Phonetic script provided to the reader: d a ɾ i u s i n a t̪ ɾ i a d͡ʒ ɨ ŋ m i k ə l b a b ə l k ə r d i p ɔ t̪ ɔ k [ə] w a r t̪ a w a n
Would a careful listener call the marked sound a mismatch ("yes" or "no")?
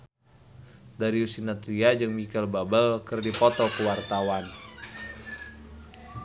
no